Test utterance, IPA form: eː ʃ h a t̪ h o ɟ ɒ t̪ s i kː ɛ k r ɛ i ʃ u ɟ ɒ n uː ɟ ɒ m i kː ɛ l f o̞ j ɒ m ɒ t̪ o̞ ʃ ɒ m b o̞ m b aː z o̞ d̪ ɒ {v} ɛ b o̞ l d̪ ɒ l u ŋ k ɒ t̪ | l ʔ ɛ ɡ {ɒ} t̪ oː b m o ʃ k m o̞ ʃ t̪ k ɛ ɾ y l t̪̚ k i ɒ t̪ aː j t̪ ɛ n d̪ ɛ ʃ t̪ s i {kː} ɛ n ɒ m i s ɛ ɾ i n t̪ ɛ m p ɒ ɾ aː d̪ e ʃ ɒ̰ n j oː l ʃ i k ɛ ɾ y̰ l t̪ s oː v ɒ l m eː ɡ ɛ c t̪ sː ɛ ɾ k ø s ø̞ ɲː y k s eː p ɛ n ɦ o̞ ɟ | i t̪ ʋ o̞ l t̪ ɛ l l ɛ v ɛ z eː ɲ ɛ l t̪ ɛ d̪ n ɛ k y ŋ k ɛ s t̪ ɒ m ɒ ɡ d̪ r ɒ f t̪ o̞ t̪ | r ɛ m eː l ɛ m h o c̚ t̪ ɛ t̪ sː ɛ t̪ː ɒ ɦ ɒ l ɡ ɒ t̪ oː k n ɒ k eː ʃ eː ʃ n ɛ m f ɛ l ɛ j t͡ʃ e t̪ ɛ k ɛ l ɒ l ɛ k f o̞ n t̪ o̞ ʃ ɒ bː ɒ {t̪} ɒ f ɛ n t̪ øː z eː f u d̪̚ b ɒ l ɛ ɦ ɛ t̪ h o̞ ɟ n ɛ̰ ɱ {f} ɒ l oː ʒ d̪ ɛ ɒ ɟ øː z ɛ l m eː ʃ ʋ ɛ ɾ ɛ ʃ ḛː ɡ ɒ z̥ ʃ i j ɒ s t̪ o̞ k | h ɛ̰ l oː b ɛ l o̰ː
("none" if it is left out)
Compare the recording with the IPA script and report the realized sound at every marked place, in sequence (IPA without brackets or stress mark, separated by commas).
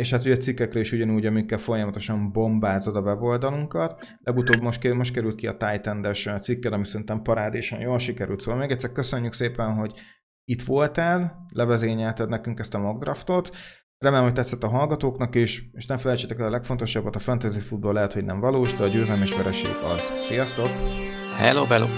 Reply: v, u, kː, t̪, v